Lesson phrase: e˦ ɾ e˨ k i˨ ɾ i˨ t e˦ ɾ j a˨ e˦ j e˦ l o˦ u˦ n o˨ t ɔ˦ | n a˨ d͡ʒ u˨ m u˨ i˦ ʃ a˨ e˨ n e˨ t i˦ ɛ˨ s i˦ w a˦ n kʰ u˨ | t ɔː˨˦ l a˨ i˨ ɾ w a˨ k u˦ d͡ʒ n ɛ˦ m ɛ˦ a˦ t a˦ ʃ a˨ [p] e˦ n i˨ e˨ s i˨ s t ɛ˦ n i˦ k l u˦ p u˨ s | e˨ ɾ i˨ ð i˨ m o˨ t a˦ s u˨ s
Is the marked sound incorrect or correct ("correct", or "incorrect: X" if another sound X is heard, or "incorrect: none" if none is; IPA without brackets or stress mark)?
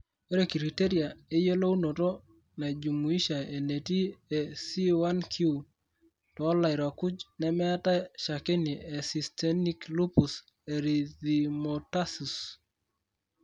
incorrect: k